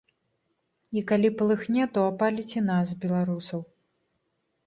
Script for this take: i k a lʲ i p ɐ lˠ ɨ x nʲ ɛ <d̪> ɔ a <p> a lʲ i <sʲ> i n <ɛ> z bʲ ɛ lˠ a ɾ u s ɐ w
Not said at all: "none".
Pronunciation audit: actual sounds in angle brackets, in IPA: t̪, p, t͡sʲ, a

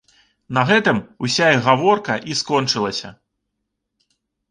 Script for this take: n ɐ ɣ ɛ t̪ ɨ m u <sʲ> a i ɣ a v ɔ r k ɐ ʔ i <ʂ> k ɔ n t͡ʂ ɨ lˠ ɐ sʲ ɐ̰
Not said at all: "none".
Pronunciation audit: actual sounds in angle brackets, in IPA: sʲ, s

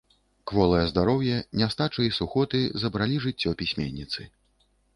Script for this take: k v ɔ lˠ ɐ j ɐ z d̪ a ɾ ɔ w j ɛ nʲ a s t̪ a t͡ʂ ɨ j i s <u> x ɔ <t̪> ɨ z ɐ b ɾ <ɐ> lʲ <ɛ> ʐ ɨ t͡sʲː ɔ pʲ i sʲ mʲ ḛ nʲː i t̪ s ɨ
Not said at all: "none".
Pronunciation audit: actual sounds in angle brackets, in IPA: u, t̪, a, i

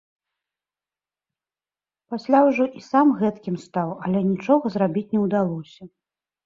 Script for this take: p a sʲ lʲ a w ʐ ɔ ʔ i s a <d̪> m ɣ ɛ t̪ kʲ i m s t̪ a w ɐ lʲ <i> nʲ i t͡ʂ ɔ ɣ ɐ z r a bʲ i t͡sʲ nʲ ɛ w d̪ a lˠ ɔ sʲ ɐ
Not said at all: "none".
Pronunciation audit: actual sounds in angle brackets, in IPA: none, ɛ

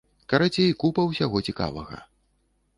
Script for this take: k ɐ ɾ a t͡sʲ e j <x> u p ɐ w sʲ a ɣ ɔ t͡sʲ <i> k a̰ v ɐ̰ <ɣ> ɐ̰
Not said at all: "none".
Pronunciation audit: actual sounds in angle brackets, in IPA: k, i, ɣ

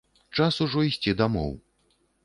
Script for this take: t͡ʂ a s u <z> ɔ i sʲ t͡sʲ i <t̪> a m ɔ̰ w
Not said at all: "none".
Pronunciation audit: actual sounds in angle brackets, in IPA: ʐ, d̪

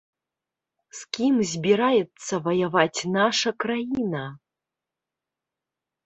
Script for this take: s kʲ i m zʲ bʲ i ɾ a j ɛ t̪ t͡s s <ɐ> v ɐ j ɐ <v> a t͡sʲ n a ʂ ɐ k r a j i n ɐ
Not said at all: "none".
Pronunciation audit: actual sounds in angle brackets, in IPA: ɐ, v

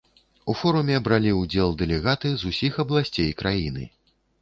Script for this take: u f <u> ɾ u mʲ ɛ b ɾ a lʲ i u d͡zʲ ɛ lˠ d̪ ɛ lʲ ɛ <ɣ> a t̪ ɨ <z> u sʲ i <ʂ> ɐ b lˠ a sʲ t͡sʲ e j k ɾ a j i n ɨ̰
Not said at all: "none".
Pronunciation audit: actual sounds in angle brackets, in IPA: ɔ, ɣ, z, x

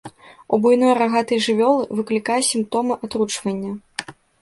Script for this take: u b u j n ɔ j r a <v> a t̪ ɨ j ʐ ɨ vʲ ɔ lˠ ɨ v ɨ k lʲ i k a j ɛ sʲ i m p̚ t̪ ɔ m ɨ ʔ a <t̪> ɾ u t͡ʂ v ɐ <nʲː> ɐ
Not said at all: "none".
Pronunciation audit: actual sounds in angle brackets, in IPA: ɣ, t̪, nʲː

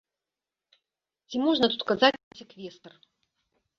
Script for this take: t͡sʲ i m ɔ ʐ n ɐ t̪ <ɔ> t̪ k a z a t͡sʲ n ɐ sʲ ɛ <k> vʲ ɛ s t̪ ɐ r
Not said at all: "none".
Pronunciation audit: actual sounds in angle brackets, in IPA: u, k

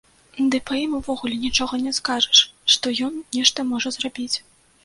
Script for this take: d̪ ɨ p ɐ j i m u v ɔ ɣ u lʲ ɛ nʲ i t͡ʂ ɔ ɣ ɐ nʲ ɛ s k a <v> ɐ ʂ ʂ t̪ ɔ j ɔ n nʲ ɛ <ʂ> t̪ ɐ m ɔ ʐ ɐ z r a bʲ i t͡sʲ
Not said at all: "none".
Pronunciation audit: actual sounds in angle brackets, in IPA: ʐ, ʂ

